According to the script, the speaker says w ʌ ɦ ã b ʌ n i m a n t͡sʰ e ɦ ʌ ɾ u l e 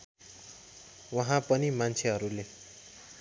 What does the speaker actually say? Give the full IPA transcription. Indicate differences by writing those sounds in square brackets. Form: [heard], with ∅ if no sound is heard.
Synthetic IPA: w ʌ ɦ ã [p] ʌ n i m a n t͡sʰ e ɦ ʌ ɾ u l e